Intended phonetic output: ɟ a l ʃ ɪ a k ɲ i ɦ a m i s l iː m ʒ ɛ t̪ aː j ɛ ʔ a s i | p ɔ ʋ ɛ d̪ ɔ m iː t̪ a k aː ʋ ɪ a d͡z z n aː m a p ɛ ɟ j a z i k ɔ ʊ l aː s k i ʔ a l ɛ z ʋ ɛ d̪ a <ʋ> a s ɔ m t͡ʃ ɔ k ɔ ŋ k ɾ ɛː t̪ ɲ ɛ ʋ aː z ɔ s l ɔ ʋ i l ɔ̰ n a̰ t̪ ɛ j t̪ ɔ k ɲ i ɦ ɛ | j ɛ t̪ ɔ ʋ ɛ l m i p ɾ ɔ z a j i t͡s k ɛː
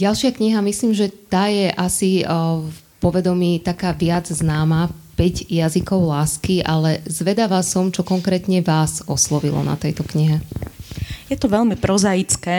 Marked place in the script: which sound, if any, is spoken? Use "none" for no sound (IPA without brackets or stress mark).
ʋ